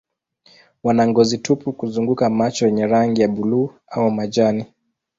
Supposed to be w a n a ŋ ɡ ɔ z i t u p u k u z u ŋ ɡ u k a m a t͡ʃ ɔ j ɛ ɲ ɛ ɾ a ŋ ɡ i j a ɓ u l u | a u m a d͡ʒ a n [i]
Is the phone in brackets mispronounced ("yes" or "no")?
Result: no